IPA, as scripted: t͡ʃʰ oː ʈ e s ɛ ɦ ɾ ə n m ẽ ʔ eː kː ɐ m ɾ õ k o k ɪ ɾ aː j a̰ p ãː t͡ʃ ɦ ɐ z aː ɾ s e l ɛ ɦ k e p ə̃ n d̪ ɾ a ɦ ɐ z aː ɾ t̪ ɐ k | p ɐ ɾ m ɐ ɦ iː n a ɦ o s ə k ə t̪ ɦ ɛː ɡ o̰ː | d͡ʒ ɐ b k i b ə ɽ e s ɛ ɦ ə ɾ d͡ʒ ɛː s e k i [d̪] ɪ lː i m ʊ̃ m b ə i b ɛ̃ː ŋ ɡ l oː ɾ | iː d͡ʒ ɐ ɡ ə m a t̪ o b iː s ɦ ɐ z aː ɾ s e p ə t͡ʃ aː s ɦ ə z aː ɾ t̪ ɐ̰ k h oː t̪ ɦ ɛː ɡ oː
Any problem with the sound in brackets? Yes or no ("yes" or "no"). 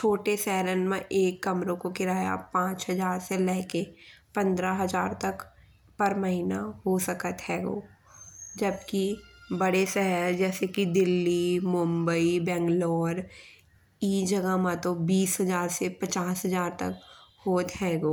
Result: no